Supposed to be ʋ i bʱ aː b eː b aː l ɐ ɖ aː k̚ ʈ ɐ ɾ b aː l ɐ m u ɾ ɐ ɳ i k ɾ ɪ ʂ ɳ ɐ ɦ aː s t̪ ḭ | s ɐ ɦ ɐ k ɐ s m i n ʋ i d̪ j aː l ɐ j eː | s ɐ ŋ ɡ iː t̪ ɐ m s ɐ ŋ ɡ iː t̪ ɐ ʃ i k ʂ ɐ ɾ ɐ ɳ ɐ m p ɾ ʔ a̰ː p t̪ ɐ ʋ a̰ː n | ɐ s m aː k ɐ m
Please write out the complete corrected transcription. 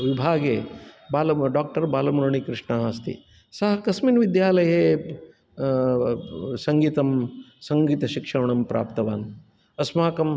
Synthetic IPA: ʋ i bʱ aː ɡ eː b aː l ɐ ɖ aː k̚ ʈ ɐ ɾ b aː l ɐ m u ɾ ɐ ɳ i k ɾ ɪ ʂ ɳ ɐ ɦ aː s t̪ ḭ | s ɐ ɦ ɐ k ɐ s m i n ʋ i d̪ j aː l ɐ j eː | s ɐ ŋ ɡ iː t̪ ɐ m s ɐ ŋ ɡ iː t̪ ɐ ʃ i k ʂ ɐ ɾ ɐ ɳ ɐ m p ɾ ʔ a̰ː p t̪ ɐ ʋ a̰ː n | ɐ s m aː k ɐ m